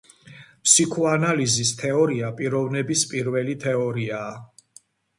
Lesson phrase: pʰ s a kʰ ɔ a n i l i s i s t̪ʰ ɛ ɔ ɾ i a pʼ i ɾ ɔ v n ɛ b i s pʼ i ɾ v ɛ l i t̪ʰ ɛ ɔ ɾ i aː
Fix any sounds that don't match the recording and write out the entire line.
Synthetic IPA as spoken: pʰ s i kʰ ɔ a n a l i z i s t̪ʰ ɛ ɔ ɾ i a pʼ i ɾ ɔ v n ɛ b i s pʼ i ɾ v ɛ l i t̪ʰ ɛ ɔ ɾ i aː